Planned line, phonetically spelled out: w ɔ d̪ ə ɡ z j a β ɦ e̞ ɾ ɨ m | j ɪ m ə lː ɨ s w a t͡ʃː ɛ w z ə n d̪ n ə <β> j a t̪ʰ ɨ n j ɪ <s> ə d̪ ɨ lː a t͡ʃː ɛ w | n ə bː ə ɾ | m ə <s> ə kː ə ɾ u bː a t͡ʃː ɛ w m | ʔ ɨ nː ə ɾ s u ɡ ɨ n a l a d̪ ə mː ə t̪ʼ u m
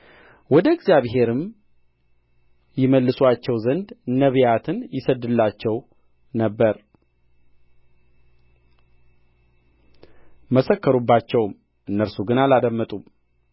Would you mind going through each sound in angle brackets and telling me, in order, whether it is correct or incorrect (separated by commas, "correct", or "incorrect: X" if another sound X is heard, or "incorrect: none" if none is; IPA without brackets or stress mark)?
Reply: correct, correct, correct